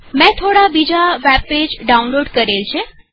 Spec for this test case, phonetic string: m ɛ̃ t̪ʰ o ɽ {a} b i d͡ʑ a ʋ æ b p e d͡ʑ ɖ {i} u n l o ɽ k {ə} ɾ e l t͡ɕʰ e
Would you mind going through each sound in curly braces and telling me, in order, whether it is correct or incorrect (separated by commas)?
correct, incorrect, correct